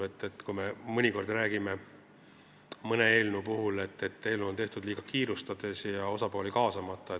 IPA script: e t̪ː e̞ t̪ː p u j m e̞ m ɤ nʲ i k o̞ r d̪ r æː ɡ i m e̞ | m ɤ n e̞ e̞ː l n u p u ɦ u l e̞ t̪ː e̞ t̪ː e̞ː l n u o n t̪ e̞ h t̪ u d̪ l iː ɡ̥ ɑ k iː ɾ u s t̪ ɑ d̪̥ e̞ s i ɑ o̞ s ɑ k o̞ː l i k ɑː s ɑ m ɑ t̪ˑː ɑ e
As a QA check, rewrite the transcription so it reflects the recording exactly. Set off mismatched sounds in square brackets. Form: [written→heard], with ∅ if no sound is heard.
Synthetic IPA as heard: e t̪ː e̞ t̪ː [p→k] u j m e̞ m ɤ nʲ i k o̞ r d̪ r æː ɡ i m e̞ | m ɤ n e̞ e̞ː l n u p u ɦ u l e̞ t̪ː e̞ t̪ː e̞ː l n u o n t̪ e̞ h t̪ u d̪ l iː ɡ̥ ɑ k iː ɾ u s t̪ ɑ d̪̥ e̞ s [i→j] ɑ o̞ s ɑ [k→p] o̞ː l i k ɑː s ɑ m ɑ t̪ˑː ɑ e